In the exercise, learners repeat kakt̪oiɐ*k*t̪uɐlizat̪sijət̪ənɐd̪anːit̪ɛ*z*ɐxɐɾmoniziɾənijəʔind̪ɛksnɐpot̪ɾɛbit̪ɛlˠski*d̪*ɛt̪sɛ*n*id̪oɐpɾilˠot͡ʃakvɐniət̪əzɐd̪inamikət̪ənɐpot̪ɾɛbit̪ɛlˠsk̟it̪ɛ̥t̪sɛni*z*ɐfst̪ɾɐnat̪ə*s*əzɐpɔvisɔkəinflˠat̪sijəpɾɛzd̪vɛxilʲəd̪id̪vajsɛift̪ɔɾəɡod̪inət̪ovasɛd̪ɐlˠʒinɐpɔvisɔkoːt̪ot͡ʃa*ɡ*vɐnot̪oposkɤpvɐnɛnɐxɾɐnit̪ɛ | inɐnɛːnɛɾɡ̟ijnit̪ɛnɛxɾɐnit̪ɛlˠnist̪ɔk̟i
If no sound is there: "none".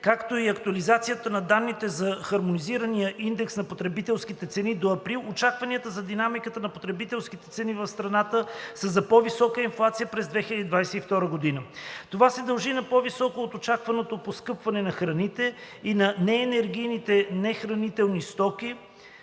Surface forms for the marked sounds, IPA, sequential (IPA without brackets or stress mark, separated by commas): k, z, t̪, n, v, s, k